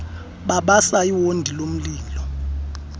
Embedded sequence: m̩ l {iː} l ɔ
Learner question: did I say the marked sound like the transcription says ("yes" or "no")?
yes